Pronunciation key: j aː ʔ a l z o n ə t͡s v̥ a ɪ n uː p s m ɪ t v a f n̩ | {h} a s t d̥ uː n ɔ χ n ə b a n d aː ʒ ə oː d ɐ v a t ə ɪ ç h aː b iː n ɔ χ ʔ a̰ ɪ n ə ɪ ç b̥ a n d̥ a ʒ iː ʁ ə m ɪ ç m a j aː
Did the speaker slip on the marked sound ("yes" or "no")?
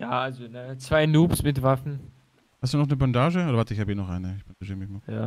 no